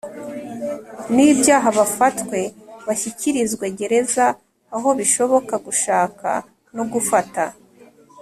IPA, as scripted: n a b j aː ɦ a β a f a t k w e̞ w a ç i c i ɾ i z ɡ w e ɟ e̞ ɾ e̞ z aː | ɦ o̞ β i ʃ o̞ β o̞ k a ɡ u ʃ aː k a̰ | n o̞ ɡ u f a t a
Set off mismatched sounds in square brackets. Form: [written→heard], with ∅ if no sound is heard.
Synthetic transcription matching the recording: n [a→i] b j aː ɦ a β a f a t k w e̞ [w→β] a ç i c i ɾ i z ɡ w e ɟ e̞ ɾ e̞ z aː | ɦ o̞ β i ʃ o̞ β o̞ k a ɡ u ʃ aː k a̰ | n o̞ ɡ u f a t a